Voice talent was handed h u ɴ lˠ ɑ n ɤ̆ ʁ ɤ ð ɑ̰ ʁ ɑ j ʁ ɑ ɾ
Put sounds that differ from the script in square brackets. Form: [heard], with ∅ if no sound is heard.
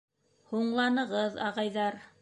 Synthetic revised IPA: h u ɴ lˠ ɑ n ɤ̆ ʁ ɤ ð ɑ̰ ʁ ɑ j [ð] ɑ ɾ

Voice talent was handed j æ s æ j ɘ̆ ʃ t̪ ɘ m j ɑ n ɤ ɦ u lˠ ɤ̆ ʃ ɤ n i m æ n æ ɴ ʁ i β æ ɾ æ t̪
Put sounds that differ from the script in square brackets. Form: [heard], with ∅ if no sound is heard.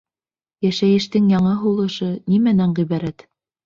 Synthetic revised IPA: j æ [ʃ] æ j ɘ̆ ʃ t̪ ɘ [ŋ] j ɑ [ɴ] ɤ ɦ u lˠ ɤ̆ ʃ ɤ n i m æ n æ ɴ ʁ i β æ ɾ æ t̪

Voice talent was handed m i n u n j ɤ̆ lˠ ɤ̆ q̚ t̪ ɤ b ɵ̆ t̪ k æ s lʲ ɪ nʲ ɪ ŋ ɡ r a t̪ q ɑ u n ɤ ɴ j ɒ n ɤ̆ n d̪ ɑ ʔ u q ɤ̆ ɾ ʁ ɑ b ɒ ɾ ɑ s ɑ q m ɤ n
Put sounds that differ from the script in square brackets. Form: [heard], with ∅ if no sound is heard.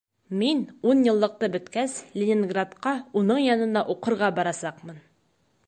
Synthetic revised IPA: m i n u n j ɤ̆ [lˠː] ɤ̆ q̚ t̪ ɤ b ɵ̆ t̪ k æ s lʲ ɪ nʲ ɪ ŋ ɡ r a t̪ q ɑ u n ɤ ɴ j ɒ n ɤ̆ n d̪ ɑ ʔ u q ɤ̆ ɾ ʁ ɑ b ɒ ɾ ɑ s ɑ q m ɤ n

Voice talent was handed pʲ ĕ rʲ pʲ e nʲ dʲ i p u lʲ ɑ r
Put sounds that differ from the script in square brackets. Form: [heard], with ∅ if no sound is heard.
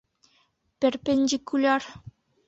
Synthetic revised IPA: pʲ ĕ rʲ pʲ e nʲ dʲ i [k] u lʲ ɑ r

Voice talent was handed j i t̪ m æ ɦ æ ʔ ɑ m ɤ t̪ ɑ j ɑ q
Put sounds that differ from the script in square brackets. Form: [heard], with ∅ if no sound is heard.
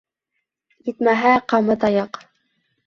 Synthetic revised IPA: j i t̪ m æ ɦ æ [q] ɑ m ɤ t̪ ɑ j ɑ q

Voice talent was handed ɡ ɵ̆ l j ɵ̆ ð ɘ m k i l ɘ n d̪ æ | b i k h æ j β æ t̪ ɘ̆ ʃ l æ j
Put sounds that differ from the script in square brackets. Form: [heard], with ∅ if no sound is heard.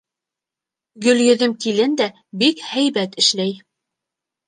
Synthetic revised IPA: ɡ ɵ̆ l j ɵ̆ ð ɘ m k i l ɘ n d̪ æ | b i k h æ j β æ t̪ ɘ̆ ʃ l æ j

